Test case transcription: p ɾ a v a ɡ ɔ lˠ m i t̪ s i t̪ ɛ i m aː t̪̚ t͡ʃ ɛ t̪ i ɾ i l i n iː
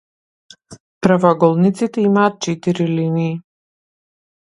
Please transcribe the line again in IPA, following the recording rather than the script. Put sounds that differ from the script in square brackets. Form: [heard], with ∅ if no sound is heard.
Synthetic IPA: p ɾ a v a ɡ ɔ lˠ [n] i t̪ s i t̪ ɛ i m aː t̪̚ t͡ʃ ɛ t̪ i ɾ i l i n iː